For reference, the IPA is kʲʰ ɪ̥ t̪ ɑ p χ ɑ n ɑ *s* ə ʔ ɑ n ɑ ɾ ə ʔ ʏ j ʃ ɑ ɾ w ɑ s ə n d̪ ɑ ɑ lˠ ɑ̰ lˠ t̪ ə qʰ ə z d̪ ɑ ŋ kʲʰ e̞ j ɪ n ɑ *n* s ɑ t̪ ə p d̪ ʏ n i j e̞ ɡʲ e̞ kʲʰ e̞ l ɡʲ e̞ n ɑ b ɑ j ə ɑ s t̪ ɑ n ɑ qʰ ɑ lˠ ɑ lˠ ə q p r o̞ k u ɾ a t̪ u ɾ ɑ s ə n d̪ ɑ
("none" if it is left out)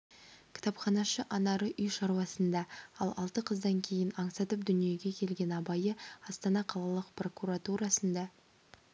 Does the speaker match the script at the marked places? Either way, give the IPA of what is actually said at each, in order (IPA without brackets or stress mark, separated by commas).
ʃ, ɴ